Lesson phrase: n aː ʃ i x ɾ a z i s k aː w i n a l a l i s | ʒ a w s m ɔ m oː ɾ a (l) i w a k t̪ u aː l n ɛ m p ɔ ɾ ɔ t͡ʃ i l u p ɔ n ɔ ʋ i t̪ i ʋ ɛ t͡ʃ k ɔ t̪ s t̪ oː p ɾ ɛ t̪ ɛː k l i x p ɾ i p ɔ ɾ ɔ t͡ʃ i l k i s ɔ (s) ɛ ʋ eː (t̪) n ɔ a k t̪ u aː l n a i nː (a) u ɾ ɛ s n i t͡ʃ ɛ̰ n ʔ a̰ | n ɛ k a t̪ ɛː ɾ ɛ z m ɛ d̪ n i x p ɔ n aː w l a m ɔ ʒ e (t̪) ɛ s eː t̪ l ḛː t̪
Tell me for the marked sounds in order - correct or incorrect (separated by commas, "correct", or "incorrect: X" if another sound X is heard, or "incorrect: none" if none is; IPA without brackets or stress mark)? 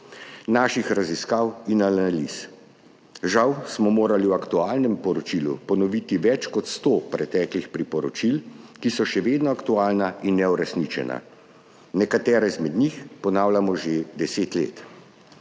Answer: correct, incorrect: ʃ, incorrect: d̪, incorrect: ɛ, incorrect: d̪